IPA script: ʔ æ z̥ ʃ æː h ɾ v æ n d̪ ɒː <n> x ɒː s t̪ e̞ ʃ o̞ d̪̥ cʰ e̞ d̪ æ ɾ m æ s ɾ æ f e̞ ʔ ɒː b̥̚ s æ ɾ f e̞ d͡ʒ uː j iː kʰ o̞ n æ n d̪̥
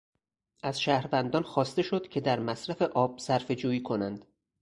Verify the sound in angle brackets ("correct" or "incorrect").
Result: correct